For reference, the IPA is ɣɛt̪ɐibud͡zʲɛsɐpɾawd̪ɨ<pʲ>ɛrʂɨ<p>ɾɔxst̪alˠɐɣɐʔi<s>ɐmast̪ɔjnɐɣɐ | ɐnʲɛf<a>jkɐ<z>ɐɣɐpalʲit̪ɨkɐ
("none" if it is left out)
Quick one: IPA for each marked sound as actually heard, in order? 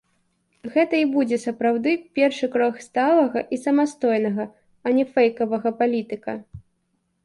pʲ, k, s, ɛ, v

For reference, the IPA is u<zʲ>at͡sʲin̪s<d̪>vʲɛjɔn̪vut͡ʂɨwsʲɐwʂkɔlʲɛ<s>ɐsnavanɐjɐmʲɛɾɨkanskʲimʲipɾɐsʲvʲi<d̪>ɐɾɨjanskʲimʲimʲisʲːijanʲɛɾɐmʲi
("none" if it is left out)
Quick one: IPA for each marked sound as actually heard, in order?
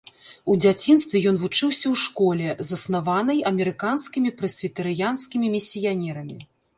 d͡zʲ, t̪, z, t̪

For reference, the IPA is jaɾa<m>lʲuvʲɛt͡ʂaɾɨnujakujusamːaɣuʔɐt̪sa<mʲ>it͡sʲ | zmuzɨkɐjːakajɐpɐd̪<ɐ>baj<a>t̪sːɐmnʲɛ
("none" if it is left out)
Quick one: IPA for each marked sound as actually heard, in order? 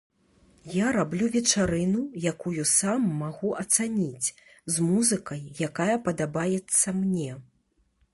b, nʲ, a, ɛ

